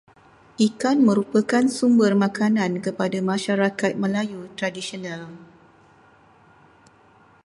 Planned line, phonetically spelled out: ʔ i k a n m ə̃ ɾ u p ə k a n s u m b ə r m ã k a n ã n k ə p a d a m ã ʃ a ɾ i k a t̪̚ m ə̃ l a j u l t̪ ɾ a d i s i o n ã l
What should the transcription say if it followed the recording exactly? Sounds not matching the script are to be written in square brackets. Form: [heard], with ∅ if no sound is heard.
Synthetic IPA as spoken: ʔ i k a n m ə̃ ɾ u p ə k a n s u m b ə r m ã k a n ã n k ə p a d a m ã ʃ a ɾ [a] k a t̪̚ m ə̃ l a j u [∅] t̪ ɾ a d i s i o n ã l

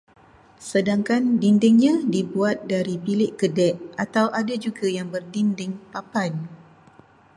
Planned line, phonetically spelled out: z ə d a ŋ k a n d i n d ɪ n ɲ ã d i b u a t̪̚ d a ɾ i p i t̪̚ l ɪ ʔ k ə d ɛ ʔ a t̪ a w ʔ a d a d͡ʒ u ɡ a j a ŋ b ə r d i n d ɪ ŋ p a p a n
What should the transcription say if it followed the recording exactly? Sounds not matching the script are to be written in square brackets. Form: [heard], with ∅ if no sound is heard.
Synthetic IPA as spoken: [s] ə d a ŋ k a n d i n d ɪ [ŋ] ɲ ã d i b u a t̪̚ d a ɾ i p i [∅] l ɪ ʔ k ə d ɛ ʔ a t̪ a w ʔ a d a d͡ʒ u ɡ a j a ŋ b ə r d i n d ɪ ŋ p a p a n

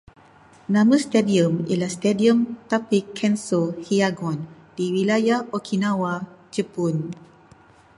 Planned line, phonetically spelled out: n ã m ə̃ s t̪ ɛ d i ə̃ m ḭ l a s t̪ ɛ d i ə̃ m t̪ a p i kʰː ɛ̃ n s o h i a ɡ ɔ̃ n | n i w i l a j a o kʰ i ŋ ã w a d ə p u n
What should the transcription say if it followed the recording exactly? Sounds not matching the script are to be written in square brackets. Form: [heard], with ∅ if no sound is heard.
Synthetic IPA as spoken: n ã m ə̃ s t̪ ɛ d i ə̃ m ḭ l a s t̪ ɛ d i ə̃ m t̪ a p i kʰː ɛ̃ n s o h i a ɡ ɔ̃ n | [d] i w i l a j a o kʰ i [n] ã w a [d͡ʒ] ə p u n

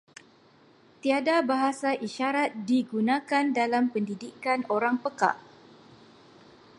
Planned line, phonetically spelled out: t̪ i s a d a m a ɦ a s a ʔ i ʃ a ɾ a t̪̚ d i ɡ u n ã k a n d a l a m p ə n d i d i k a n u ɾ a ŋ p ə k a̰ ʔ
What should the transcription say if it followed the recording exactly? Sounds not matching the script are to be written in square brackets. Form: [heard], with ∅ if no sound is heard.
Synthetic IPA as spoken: t̪ i [∅] a d a [b] a ɦ a s a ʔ i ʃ a ɾ a t̪̚ d i ɡ u n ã k a n d a l a m p ə n d i d i k a n [o] ɾ a ŋ p ə k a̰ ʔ

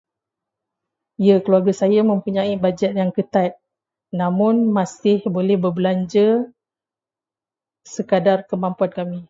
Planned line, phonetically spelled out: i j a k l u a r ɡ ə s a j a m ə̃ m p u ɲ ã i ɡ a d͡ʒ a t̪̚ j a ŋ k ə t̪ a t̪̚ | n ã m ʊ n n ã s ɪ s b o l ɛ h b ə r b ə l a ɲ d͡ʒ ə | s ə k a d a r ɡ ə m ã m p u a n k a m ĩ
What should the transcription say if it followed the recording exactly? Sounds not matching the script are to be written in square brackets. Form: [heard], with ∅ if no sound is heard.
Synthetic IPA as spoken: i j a k l u a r ɡ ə s a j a m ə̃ m p u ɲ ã i [b] a d͡ʒ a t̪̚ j a ŋ k ə t̪ a t̪̚ | n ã m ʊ n [m] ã s ɪ [h] b o l ɛ h b ə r b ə l a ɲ d͡ʒ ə | s ə k a d a r [k] ə m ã m p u a n k a m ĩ

